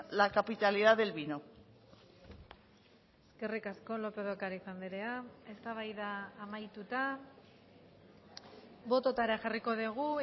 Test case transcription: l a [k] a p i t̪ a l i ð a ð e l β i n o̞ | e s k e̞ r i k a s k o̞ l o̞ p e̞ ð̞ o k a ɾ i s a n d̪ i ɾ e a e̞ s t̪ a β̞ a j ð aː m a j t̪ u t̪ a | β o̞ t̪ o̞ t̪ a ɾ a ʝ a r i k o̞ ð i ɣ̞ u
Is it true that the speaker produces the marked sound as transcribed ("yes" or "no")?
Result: yes